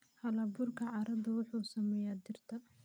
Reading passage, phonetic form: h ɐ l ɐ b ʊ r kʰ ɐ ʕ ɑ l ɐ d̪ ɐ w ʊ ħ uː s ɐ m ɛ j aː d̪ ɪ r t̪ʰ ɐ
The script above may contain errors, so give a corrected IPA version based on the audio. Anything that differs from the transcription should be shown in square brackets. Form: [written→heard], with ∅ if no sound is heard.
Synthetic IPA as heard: h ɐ l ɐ b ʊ r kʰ ɐ ʕ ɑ [l→ɾ] ɐ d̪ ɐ w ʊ ħ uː s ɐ m ɛ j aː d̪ ɪ r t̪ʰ ɐ